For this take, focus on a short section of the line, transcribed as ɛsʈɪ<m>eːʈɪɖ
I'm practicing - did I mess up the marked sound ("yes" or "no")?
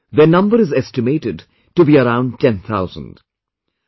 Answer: no